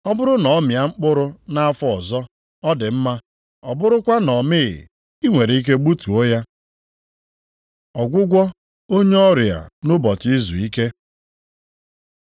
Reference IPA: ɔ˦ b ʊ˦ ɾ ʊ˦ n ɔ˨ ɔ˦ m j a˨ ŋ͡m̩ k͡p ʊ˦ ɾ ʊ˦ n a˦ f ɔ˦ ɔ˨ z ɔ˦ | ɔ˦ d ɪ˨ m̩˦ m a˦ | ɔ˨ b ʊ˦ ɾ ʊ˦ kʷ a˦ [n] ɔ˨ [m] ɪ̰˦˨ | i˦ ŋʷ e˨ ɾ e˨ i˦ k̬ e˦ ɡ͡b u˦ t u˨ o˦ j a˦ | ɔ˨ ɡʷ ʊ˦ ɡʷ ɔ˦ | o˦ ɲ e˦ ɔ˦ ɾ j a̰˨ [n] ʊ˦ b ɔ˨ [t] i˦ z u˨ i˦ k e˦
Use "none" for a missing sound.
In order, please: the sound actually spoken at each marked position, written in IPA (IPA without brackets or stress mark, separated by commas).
n, m, n, t